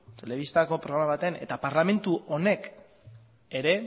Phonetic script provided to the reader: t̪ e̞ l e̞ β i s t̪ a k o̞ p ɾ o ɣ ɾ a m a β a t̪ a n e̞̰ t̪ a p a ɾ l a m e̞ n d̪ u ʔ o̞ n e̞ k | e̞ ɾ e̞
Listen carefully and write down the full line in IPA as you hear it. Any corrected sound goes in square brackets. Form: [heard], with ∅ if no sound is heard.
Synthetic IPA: t̪ e̞ l e̞ β i s t̪ a k o̞ p ɾ o ɣ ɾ a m a β a t̪ [e] n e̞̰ t̪ a p a ɾ l a m e̞ n [t̪] u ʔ o̞ n e̞ k | e̞ ɾ e̞